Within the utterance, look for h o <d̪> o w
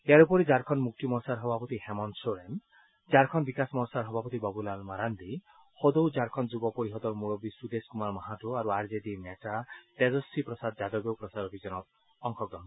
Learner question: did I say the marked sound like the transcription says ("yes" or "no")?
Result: yes